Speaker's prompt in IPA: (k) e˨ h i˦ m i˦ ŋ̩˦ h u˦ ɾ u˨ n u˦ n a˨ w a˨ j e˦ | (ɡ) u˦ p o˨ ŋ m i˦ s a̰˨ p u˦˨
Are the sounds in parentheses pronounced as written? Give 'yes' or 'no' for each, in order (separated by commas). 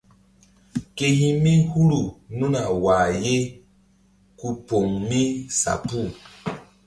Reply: yes, no